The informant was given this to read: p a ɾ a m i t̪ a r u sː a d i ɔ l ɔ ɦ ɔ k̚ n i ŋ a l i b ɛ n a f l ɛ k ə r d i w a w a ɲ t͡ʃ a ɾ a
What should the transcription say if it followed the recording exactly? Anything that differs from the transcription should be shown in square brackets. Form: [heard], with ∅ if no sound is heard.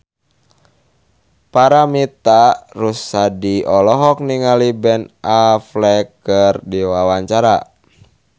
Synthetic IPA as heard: p a ɾ a m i t̪ a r u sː a d i ɔ l ɔ ɦ ɔ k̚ n i ŋ a l i b ɛ n a f l ɛ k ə r d i w a w a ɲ t͡ʃ a ɾ a